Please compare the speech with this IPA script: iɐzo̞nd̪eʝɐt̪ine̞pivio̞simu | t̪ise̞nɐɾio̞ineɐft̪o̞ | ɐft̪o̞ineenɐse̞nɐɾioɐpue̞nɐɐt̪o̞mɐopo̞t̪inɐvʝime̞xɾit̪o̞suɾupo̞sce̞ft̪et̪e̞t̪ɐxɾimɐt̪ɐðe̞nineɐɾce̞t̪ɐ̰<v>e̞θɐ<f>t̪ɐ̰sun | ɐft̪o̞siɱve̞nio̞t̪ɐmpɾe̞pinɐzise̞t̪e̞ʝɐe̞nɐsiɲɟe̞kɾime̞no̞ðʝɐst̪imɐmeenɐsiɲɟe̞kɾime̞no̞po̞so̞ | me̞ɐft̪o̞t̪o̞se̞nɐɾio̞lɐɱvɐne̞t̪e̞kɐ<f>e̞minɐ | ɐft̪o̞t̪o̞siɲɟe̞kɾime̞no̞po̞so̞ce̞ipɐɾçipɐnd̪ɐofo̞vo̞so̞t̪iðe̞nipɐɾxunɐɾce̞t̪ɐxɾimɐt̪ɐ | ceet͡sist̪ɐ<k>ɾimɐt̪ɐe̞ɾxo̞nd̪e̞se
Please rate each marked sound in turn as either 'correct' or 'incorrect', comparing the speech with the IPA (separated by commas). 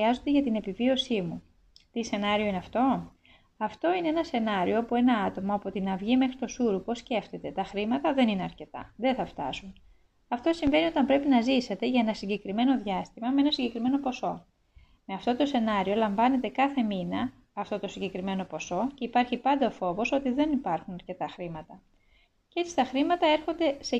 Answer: incorrect, correct, incorrect, incorrect